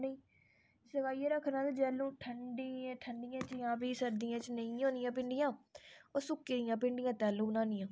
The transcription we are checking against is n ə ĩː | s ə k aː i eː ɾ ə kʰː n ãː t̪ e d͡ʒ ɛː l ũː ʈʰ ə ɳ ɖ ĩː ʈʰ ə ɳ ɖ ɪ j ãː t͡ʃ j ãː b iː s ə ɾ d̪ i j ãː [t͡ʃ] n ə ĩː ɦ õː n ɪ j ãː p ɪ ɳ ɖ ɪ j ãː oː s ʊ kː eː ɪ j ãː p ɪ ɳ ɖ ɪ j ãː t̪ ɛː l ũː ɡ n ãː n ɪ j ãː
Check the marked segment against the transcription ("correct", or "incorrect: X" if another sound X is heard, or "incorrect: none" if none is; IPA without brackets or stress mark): correct